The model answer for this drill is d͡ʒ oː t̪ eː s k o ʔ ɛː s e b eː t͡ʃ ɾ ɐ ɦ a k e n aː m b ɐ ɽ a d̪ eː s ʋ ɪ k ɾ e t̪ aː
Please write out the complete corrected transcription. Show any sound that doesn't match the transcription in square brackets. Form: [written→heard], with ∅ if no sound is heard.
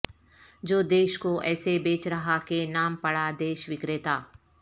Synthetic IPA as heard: d͡ʒ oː [t̪→d̪] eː [s→ʃ] k o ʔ ɛː s e b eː t͡ʃ ɾ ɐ ɦ a k e n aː m [b→p] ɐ ɽ a d̪ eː [s→ʃ] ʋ ɪ k ɾ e t̪ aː